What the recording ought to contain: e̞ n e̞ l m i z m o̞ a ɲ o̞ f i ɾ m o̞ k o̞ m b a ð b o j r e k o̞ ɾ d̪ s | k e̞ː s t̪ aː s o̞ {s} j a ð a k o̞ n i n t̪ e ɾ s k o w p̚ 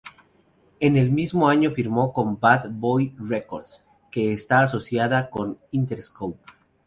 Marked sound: correct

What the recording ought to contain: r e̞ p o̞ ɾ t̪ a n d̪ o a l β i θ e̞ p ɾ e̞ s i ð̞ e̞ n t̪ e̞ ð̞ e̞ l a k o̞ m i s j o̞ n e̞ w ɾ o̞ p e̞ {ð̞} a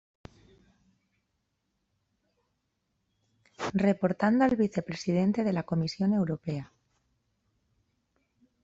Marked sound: incorrect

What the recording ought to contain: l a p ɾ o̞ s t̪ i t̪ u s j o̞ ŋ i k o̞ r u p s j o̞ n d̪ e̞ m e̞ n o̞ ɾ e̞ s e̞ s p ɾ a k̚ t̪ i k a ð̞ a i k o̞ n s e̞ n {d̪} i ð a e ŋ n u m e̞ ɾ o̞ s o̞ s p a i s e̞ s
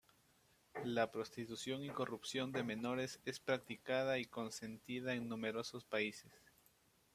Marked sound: incorrect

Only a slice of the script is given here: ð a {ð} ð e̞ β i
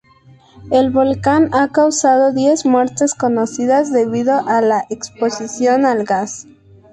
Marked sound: incorrect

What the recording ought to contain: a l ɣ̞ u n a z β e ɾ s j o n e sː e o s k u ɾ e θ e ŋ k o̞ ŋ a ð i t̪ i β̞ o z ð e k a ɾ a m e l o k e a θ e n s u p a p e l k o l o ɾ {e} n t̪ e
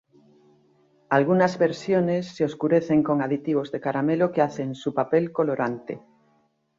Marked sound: incorrect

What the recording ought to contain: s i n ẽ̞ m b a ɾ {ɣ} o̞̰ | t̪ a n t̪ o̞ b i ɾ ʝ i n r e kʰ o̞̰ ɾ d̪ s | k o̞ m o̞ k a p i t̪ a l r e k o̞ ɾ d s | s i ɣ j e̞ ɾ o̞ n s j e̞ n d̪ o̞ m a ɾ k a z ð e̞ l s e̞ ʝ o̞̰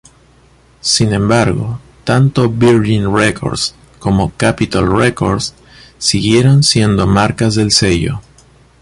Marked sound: correct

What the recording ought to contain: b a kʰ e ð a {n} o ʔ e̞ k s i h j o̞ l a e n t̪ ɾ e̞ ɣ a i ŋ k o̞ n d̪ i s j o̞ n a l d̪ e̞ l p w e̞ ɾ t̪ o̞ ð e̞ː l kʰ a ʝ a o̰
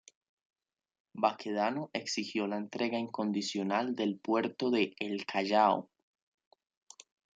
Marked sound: correct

